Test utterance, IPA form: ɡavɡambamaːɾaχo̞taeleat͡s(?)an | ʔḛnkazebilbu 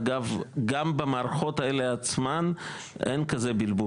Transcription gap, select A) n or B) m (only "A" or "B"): B